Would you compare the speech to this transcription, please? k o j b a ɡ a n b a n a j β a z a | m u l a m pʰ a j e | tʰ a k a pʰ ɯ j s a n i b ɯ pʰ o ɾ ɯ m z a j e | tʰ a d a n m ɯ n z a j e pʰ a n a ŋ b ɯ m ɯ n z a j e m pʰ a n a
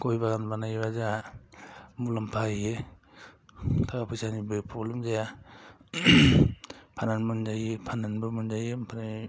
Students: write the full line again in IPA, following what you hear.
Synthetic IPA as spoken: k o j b a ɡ a n b a n a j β a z a | m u l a m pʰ a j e | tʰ a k a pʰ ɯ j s a n i b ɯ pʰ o l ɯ m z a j a | pʰ a n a n m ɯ n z a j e pʰ a n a n b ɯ m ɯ n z a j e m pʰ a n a